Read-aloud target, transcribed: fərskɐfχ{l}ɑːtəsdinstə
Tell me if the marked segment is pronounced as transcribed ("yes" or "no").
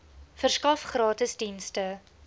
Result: no